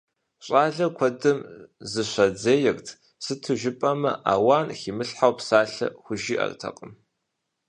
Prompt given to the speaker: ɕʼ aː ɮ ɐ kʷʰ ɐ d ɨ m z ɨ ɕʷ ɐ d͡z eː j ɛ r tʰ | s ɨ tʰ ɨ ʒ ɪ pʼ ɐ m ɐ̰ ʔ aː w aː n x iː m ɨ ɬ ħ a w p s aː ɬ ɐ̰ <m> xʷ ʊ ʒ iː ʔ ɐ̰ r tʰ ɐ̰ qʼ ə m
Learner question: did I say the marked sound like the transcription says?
no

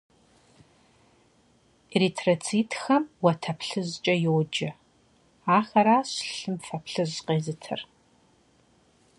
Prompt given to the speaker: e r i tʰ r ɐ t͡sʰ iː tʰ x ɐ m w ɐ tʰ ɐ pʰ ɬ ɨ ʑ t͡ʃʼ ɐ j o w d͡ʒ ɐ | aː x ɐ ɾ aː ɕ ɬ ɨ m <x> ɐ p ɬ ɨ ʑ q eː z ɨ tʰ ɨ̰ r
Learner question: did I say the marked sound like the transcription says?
no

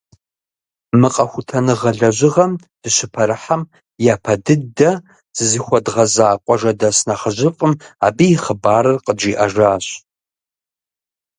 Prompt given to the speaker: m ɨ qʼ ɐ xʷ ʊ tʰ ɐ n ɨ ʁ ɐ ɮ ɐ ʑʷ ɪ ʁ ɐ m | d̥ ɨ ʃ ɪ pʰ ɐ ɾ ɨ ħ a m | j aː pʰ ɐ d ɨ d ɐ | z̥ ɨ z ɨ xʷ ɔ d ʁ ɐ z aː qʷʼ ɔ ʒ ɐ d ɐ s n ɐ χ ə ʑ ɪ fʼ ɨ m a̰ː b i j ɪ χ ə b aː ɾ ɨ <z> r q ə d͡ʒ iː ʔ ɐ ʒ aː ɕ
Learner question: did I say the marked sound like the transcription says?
no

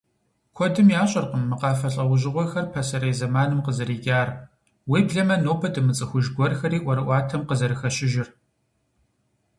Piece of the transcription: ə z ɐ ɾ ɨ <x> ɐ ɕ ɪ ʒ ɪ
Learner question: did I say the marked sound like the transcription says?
yes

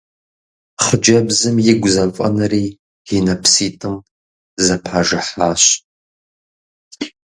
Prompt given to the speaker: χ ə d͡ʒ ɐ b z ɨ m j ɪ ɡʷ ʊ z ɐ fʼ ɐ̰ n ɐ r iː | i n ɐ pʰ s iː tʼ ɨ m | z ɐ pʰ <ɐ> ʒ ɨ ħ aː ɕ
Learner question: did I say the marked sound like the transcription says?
no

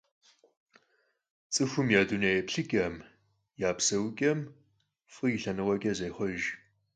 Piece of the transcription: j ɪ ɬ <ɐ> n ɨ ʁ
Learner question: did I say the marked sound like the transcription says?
yes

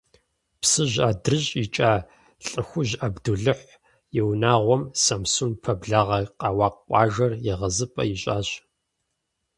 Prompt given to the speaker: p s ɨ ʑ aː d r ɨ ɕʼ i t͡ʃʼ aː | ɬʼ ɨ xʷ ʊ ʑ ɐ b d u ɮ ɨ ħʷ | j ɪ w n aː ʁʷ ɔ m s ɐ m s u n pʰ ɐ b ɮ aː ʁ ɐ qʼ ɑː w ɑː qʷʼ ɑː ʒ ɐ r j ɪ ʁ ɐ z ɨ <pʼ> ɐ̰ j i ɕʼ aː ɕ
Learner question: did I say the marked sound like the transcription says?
yes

